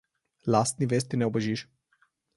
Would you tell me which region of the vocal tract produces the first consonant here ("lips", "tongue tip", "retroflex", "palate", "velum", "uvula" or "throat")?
tongue tip